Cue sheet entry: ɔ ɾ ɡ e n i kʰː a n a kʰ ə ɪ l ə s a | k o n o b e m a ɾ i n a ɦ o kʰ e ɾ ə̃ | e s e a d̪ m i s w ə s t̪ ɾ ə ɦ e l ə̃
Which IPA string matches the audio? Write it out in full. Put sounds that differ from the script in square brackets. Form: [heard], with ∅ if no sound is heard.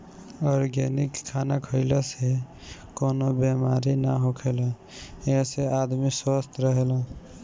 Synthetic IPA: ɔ ɾ ɡ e n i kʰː a n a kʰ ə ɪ l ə s [e] | k o n o b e m a ɾ i n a ɦ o kʰ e [l] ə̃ | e s e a d̪ m i s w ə s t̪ ɾ ə ɦ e l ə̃